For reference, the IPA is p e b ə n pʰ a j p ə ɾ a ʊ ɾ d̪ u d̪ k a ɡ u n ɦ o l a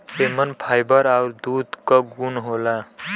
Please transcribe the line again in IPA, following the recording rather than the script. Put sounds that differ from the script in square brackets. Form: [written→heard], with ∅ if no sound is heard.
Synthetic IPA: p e [b→m] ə n pʰ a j [p→b] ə ɾ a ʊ ɾ d̪ u d̪ k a ɡ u n ɦ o l a

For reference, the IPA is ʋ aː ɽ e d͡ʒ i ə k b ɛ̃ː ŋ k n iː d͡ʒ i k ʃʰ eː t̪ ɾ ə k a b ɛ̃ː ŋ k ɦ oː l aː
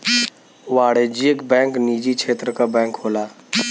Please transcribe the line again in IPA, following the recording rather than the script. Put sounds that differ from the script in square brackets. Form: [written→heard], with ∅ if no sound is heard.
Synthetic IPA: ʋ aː ɽ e d͡ʒ i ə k b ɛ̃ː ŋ k n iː d͡ʒ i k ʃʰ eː t̪ ɾ ə k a b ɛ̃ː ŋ k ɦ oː l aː

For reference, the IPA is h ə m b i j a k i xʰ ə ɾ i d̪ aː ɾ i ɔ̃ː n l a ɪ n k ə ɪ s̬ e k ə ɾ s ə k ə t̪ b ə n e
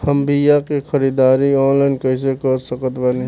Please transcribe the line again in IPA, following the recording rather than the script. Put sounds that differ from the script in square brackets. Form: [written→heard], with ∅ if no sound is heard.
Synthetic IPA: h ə m b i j a k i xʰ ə ɾ i d̪ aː ɾ i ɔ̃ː n l a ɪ n k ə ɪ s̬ e k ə ɾ s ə k ə t̪ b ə n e

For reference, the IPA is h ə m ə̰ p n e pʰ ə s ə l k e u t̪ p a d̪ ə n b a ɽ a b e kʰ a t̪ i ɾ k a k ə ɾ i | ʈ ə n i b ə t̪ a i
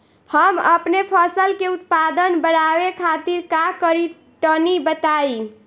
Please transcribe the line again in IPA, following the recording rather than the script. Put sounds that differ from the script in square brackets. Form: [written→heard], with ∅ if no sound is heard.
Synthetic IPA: h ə m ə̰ p n e pʰ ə s ə l k e u t̪ p a d̪ ə n b [a→ə] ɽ a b e kʰ a t̪ i ɾ k a k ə ɾ i | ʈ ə n i b ə t̪ a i

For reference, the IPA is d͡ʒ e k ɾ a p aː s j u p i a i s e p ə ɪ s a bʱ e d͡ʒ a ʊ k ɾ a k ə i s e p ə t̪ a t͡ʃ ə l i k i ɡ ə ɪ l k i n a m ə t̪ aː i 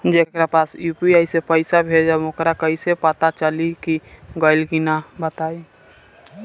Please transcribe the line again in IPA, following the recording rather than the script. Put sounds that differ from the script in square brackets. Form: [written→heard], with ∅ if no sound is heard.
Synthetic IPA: d͡ʒ e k ɾ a p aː s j u p i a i s e p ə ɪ s a bʱ e d͡ʒ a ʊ k ɾ a k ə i s e p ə t̪ a t͡ʃ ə l i k i ɡ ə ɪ l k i n a [m→b] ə t̪ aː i

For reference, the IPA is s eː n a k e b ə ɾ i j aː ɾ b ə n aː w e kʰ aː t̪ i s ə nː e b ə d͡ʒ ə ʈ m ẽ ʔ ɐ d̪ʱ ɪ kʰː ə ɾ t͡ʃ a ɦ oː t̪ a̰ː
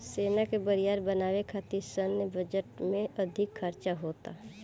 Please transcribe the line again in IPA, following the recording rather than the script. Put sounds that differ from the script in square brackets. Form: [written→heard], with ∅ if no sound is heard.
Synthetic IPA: s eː n a k e b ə ɾ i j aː ɾ b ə n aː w e kʰ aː t̪ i s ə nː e b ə d͡ʒ ə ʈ m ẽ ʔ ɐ d̪ʱ ɪ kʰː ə ɾ t͡ʃ a ɦ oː t̪ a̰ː

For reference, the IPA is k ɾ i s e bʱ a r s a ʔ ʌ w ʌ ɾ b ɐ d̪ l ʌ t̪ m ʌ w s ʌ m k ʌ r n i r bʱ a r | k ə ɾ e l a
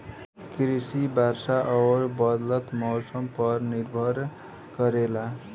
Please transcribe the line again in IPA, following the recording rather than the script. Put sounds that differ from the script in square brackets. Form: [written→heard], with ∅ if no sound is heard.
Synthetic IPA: k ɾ i s [e→i] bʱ a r s a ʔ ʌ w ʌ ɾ b [ɐ→ʌ] d̪ l ʌ t̪ m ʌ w s ʌ m [k→p] ʌ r n i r bʱ [a→ʌ] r | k [ə→ʌ] ɾ e l a

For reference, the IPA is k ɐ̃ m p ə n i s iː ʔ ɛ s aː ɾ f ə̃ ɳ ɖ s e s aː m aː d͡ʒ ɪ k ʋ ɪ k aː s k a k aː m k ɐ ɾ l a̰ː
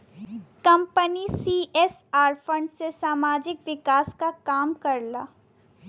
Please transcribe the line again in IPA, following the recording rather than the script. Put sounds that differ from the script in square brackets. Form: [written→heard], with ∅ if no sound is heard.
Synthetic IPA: k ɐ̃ m p ə n i s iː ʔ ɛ s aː ɾ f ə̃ ɳ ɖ s e s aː m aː d͡ʒ ɪ k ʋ ɪ k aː s k a k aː m k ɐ ɾ l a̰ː

